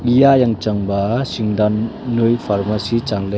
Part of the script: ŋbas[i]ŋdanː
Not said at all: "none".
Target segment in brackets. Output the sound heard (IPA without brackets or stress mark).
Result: i